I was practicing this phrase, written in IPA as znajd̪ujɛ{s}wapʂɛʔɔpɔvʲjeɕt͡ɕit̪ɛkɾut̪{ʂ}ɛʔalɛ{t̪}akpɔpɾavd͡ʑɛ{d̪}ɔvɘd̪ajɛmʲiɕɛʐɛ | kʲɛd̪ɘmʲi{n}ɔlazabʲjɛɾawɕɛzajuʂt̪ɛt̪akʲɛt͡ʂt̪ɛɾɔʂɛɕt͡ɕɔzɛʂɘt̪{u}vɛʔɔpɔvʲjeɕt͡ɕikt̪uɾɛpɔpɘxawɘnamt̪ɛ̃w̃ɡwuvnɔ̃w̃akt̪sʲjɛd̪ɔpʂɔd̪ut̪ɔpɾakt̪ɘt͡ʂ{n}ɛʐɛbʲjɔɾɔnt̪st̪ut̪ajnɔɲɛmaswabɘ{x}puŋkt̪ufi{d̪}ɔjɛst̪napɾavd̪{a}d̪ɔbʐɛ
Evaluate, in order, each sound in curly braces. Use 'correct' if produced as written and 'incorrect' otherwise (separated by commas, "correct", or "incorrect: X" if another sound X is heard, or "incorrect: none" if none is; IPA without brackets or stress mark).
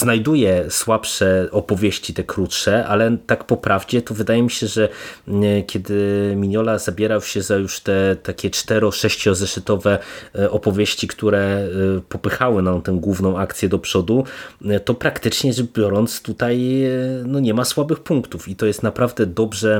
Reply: correct, correct, correct, incorrect: t̪, incorrect: ɲ, incorrect: ɔ, incorrect: ɲ, correct, incorrect: t̪, incorrect: ɛ